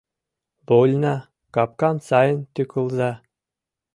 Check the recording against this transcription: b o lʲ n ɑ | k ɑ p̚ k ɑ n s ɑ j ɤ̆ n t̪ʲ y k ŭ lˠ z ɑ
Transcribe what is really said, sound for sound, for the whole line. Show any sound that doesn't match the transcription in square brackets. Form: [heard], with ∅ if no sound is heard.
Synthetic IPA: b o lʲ n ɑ | k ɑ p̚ k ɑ n s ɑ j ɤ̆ n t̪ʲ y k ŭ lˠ z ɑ